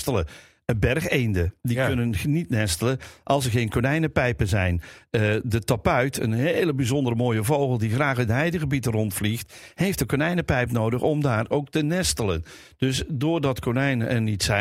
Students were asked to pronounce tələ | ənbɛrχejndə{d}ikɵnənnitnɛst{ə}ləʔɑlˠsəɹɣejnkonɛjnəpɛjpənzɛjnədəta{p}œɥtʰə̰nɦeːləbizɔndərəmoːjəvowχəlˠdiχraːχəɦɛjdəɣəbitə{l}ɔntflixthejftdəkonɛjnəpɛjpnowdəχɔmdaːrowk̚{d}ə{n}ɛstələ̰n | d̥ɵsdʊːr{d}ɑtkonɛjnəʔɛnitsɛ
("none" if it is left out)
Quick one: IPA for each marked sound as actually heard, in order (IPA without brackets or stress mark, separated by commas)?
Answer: d, ə, p, r, t, n, d